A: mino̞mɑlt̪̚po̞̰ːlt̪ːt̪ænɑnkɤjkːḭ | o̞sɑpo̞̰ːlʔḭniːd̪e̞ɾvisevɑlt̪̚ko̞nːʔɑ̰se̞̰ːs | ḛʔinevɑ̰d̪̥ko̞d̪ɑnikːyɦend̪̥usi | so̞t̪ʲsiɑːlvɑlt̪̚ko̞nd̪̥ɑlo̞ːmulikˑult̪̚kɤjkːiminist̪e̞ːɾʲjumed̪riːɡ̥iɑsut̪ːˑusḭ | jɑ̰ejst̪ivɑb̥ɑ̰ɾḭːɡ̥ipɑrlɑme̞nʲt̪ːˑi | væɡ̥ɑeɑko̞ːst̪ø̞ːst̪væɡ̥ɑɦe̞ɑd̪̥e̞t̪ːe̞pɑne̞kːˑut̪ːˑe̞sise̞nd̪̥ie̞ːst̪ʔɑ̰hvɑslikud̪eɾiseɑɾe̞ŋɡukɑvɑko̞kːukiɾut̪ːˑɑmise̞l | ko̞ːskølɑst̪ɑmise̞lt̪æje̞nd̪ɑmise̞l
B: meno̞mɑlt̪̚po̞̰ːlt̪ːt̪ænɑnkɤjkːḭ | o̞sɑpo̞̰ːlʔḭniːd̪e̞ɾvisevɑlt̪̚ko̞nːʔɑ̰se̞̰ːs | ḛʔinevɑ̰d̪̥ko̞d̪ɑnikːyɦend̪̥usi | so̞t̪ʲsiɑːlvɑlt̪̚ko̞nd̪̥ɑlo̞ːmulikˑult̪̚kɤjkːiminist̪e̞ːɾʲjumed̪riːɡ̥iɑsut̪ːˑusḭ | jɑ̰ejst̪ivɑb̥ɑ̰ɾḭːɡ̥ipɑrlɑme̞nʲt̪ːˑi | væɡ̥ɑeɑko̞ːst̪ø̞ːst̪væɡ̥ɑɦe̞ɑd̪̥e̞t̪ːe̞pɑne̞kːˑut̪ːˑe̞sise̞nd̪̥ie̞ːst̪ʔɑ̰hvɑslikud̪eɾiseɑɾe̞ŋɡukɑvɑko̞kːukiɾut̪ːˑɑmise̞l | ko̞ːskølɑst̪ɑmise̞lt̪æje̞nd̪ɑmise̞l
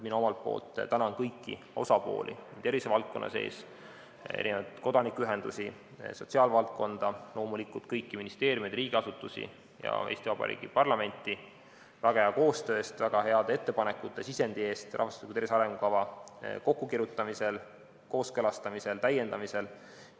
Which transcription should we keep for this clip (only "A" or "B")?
A